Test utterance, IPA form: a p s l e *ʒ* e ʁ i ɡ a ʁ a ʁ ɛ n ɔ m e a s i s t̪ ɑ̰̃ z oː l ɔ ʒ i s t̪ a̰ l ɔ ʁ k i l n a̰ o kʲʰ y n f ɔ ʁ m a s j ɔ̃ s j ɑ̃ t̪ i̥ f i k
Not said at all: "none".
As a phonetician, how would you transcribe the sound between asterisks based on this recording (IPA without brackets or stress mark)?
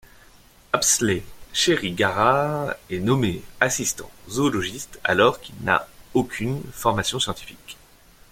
ʃ